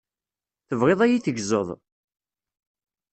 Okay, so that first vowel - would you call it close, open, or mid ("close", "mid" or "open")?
mid